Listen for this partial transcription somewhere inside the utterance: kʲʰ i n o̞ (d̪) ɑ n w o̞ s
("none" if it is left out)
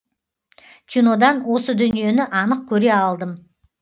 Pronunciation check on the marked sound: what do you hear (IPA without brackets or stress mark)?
d̪